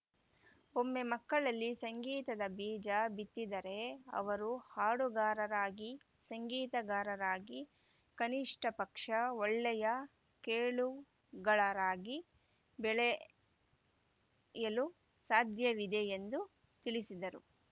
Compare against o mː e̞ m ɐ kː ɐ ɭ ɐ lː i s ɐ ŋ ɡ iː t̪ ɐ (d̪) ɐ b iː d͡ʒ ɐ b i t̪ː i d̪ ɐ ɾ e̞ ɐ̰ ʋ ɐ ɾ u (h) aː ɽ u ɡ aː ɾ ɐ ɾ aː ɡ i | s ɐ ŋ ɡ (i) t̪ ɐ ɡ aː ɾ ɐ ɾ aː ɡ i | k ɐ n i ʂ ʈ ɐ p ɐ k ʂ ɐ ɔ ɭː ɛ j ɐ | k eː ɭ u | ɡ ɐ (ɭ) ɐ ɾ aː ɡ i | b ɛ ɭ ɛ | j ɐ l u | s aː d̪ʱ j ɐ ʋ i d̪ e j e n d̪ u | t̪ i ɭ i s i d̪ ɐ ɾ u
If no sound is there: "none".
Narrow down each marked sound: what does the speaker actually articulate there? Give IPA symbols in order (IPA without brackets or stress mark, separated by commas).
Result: d̪, h, iː, ɭ